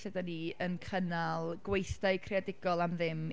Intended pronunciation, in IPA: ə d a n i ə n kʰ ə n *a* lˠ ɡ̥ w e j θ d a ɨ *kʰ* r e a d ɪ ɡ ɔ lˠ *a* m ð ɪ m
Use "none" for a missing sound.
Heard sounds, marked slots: a, kʰ, a

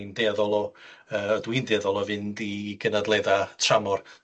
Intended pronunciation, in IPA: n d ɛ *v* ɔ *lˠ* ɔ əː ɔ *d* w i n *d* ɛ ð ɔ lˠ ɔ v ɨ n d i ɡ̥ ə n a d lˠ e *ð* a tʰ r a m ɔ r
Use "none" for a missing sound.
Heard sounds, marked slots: ð, lˠ, d, d, ð

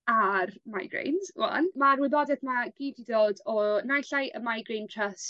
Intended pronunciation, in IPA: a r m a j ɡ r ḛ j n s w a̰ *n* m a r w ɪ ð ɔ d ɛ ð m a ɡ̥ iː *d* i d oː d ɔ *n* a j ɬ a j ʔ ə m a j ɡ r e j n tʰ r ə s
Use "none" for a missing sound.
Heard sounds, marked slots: n, d, n

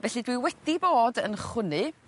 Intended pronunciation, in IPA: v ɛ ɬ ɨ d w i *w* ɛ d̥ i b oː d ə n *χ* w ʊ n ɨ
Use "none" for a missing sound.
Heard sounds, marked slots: w, χ

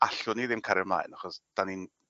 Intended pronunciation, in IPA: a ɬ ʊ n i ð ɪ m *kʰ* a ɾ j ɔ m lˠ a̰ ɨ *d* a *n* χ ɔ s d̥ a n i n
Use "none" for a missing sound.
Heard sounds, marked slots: kʰ, n, none

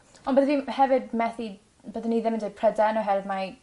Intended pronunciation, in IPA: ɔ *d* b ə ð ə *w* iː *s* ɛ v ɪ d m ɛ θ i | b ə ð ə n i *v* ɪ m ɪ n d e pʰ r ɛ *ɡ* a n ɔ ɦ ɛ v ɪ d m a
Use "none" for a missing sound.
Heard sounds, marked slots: n, v, h, ð, d

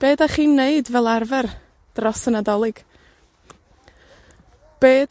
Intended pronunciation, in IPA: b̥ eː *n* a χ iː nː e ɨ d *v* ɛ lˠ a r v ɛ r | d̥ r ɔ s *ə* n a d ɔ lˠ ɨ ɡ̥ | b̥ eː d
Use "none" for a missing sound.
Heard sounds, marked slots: d, v, ə

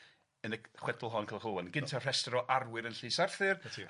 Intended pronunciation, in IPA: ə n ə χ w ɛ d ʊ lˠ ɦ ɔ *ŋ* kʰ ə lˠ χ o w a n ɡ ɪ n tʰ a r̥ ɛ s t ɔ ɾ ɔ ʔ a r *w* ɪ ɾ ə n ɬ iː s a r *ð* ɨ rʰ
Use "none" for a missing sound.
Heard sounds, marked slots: n, w, θ

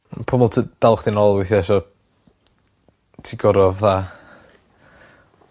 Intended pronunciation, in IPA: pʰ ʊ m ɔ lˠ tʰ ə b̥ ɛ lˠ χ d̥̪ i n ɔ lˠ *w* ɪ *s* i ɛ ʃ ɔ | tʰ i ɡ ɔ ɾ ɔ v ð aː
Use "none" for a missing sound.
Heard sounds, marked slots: w, θ

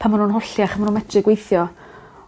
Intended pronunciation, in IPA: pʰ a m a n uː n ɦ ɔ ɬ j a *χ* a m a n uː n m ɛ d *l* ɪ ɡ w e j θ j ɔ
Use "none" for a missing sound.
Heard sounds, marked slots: χ, r

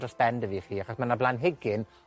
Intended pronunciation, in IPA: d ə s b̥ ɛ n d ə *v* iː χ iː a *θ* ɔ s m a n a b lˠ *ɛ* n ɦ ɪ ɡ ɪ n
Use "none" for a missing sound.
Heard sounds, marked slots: v, χ, a

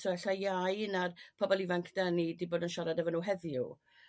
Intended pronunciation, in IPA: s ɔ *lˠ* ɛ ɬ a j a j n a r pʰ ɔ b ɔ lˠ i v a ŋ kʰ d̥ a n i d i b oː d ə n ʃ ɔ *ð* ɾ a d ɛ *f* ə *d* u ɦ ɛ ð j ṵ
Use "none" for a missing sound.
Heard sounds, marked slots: none, none, v, n

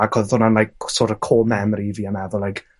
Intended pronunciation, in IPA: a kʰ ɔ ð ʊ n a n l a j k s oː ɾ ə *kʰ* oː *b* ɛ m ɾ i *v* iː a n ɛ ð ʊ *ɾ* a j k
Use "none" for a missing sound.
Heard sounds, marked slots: kʰ, m, v, l

